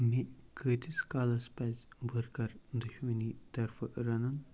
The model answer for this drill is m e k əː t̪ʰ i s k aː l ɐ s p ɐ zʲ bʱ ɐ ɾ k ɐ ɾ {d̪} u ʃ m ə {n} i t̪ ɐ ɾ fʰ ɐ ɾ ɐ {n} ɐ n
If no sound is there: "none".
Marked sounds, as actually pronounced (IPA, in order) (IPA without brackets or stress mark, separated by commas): d̪, n, n